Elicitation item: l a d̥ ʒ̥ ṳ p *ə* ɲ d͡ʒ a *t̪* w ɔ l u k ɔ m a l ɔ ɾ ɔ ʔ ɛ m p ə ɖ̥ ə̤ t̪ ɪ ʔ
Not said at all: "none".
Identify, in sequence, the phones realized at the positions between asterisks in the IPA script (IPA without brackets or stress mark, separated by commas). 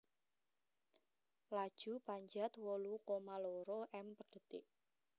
a, t̪